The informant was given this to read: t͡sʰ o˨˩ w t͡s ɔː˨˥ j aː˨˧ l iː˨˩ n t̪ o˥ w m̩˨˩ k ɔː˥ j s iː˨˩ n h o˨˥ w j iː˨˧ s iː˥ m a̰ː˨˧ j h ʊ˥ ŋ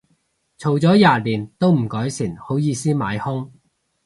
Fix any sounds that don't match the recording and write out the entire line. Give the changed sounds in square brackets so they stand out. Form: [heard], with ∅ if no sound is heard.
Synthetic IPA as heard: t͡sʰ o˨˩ w t͡s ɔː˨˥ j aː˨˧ l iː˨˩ n t̪ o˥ w m̩˨˩ k [ɔː˨˥] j s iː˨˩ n h o˨˥ w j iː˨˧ s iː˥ m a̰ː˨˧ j h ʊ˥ ŋ

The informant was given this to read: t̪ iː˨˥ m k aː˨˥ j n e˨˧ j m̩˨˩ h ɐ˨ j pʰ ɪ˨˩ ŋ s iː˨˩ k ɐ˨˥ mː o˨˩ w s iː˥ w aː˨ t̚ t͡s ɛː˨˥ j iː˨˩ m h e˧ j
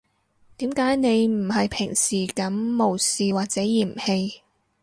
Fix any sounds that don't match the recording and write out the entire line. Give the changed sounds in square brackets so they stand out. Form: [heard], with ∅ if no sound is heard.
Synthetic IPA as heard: t̪ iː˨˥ m k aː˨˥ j n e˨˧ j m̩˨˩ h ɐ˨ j pʰ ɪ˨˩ ŋ s iː˨˩ k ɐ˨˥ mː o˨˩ w s [iː˨] w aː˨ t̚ t͡s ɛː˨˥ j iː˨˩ m h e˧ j

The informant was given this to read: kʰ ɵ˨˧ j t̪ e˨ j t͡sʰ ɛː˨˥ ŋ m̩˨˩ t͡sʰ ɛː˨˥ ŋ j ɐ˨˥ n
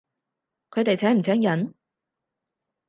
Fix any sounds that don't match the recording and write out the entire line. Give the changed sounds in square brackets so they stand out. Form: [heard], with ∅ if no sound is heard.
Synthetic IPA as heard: kʰ ɵ˨˧ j t̪ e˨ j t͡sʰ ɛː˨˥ ŋ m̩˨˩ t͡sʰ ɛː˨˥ ŋ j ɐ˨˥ n

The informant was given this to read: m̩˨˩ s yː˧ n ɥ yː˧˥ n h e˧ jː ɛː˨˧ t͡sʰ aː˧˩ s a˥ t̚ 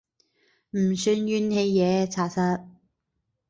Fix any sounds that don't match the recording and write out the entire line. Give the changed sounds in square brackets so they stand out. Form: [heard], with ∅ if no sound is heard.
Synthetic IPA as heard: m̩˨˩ s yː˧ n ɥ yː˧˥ n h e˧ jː ɛː˨˧ t͡sʰ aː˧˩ s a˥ t̚

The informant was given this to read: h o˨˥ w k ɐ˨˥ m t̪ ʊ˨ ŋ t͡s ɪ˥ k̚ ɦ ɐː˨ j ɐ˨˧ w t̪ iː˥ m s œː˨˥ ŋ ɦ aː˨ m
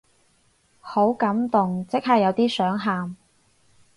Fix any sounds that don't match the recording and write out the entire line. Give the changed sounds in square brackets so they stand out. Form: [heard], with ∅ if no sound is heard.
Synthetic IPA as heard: h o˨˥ w k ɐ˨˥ m t̪ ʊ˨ ŋ t͡s ɪ˥ k̚ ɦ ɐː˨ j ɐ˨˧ w t̪ iː˥ [∅] s œː˨˥ ŋ ɦ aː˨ m

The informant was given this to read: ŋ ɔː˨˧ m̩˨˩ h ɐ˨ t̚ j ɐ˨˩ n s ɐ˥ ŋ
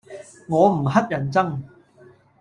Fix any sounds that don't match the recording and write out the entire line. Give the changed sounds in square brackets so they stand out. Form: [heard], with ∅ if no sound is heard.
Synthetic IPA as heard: ŋ ɔː˨˧ m̩˨˩ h [ɐ˥] t̚ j ɐ˨˩ n [t͡s] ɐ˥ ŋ

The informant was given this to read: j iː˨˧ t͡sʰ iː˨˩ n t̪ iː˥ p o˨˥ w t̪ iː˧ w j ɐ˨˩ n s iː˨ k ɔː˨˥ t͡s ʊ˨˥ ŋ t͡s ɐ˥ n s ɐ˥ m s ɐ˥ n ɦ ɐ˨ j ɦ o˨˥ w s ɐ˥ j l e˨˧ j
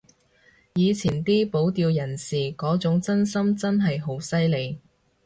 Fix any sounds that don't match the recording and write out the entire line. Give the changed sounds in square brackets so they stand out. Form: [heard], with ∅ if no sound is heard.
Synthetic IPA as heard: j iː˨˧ t͡sʰ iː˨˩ n t̪ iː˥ p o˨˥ w t̪ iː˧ w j ɐ˨˩ n s iː˨ k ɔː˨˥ t͡s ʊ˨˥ ŋ t͡s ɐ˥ n s ɐ˥ m [t͡s] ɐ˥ n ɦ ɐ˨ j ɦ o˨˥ w s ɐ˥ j l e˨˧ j

